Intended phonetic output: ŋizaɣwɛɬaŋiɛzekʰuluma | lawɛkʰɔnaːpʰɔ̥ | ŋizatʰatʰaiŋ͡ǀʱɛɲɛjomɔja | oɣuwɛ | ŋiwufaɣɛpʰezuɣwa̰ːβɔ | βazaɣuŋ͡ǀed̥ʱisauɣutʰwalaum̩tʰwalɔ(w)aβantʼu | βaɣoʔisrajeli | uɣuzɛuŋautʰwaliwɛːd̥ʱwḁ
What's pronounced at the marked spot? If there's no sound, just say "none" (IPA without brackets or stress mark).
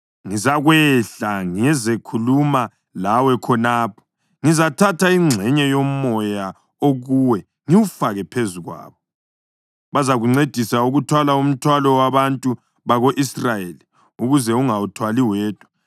w